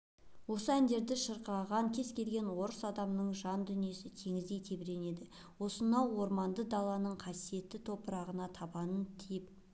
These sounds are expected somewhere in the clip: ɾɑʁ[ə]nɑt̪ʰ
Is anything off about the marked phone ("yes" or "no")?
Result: no